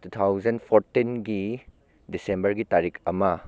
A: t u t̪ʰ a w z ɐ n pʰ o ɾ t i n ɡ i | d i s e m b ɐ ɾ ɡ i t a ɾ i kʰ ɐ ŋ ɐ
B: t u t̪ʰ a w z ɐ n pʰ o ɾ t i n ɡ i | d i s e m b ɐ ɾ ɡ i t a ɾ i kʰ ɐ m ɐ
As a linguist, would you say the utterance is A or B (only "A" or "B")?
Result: B